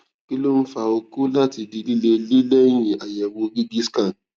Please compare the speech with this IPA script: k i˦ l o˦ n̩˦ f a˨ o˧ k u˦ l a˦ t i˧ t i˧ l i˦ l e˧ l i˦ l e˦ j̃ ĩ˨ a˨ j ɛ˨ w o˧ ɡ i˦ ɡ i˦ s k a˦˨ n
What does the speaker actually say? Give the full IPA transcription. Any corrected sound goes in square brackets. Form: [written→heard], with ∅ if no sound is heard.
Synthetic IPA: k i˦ l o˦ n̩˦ f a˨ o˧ k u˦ l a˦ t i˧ [t→d] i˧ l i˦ l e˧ l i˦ l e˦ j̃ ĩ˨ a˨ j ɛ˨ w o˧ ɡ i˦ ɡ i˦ s k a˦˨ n